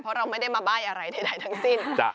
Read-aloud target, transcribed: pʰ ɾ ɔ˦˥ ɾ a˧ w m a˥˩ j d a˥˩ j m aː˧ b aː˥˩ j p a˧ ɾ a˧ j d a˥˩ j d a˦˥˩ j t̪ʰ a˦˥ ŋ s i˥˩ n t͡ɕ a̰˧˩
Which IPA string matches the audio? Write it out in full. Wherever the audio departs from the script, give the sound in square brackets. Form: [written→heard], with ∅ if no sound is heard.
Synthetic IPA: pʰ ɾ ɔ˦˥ ɾ a˧ w m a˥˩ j d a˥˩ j m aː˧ b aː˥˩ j [p→ʔ] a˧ ɾ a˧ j d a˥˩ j d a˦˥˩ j t̪ʰ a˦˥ ŋ s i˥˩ n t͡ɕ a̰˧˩